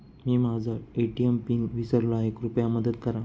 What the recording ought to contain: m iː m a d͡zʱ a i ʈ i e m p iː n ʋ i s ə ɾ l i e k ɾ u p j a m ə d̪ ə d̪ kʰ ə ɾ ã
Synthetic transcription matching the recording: m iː m a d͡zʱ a e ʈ i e m p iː n ʋ i s ə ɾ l a e k ɾ u p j a m ə d̪ ə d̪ k ə ɾ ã